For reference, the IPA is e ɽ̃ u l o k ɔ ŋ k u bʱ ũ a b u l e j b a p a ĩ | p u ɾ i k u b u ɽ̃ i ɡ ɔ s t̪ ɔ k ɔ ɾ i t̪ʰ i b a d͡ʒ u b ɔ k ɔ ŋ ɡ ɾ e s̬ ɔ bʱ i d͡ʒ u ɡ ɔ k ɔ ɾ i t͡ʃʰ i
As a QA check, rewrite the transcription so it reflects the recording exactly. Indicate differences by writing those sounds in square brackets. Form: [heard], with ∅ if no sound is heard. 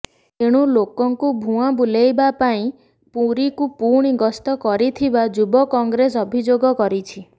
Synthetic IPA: e ɽ̃ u l o k ɔ ŋ k u bʱ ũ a b u l e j b a p a ĩ | p u ɾ i k u [p] u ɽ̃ i ɡ ɔ s t̪ ɔ k ɔ ɾ i t̪ʰ i b a d͡ʒ u b ɔ k ɔ ŋ ɡ ɾ e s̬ ɔ bʱ i d͡ʒ [o] ɡ ɔ k ɔ ɾ i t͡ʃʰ i